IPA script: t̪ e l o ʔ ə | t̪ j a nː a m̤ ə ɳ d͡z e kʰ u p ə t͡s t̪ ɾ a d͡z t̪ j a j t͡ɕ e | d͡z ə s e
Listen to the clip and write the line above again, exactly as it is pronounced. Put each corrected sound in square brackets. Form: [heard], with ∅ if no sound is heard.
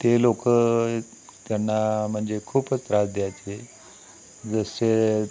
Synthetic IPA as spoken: t̪ e l o [k] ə | t̪ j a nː a m̤ ə ɳ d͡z e kʰ [uː] p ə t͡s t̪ ɾ a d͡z [d̪] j a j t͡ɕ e | d͡z ə s e